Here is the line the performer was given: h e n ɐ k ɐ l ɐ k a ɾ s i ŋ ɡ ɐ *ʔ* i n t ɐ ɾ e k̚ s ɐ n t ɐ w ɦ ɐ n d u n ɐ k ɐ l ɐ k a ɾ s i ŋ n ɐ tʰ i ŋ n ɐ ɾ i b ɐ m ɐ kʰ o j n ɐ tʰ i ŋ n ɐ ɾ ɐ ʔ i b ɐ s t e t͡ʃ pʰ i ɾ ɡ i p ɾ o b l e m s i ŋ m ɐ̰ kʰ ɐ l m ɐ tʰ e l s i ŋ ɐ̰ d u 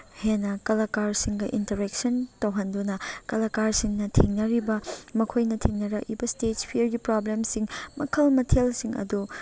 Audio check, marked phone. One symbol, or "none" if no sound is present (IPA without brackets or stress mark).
ʔ